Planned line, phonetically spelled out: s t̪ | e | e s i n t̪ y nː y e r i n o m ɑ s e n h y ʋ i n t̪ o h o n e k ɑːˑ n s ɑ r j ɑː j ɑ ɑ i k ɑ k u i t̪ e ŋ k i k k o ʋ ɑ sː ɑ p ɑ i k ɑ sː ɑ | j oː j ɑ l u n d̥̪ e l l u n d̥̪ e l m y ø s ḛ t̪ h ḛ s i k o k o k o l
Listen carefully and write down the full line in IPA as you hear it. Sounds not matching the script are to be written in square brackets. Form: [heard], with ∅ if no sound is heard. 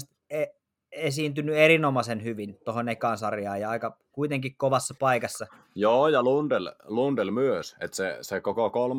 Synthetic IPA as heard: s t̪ | e | e s [iː] n t̪ y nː y e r i n o m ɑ s e n h y ʋ i n t̪ o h o n e k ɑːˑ n s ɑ r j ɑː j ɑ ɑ i k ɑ k u i t̪ e ŋ k i k k o ʋ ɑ sː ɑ p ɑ i k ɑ sː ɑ | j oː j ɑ l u n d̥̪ e l l u n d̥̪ e l m y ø s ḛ t̪ [s] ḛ s [e] k o k o k o l